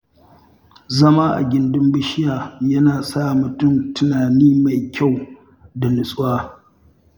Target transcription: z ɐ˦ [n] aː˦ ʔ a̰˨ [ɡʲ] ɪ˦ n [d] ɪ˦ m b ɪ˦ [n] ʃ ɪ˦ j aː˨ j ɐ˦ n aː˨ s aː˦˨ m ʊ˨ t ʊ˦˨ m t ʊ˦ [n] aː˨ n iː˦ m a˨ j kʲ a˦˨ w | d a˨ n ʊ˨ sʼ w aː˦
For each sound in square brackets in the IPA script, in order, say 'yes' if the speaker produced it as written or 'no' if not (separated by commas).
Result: no, yes, yes, no, yes